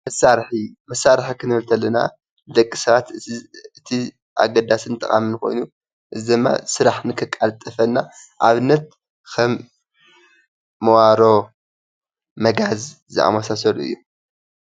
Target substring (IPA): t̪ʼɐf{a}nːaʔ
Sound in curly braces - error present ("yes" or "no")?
yes